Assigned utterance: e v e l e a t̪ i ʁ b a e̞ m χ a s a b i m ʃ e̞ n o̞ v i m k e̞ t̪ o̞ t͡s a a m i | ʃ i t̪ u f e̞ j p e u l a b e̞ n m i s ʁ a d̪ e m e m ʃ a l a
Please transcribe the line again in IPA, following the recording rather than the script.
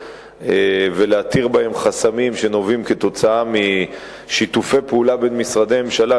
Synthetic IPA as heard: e v e l e a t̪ i ʁ b a e̞ m χ a s a m i m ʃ e̞ n o̞ v i m k e̞ t̪ o̞ t͡s a a m i | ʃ i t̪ u f e̞ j p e u l a b e̞ n m i s ʁ a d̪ e m e m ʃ a l a